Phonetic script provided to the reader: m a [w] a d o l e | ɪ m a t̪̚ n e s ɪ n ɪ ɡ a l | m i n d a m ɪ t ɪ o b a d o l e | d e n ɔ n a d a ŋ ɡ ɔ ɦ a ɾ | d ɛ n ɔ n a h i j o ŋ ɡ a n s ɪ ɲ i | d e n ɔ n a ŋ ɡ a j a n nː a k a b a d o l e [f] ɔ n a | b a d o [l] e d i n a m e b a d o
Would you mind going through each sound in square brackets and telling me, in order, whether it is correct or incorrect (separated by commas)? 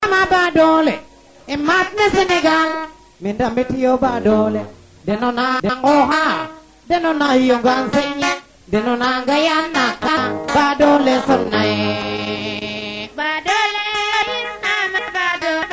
incorrect, incorrect, correct